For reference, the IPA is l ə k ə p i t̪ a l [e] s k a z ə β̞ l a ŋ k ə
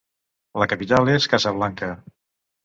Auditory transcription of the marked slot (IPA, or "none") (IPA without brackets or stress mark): e